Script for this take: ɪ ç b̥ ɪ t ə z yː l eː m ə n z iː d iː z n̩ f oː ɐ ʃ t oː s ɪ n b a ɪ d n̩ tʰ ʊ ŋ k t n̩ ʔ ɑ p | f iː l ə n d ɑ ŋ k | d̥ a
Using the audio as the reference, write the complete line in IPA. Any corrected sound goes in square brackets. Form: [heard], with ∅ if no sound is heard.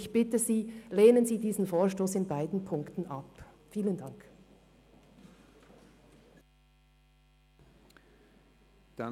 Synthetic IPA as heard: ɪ ç b̥ ɪ t ə z [iː] l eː [n] ə n z iː d iː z n̩ f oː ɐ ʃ t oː s ɪ n b a ɪ d n̩ [pʰ] ʊ ŋ k t n̩ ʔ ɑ p | f iː l ə n d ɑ ŋ k | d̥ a